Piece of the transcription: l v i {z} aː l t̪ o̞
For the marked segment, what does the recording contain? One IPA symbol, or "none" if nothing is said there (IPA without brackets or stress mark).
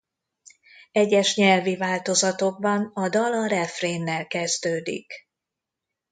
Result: v